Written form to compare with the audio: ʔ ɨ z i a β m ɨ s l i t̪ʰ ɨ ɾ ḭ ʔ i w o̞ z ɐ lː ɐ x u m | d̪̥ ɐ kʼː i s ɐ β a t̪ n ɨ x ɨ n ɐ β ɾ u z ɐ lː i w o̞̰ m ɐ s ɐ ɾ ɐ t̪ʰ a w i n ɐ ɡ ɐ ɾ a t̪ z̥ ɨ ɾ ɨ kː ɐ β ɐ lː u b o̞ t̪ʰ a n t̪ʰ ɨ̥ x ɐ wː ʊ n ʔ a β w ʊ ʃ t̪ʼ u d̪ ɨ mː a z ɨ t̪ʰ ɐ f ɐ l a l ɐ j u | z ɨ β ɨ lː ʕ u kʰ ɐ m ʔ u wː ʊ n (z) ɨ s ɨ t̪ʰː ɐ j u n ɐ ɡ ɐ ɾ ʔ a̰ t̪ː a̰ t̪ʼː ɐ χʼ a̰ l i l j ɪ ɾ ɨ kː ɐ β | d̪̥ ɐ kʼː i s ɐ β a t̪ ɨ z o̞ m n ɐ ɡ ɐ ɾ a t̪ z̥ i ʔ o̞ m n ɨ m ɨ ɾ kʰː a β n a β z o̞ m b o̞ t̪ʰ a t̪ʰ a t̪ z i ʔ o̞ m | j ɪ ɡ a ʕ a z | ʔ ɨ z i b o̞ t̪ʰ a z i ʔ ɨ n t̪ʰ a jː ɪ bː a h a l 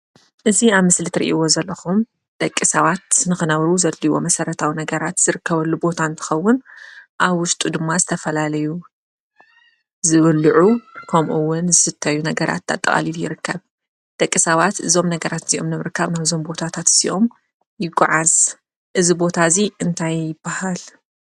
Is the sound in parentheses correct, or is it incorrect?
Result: correct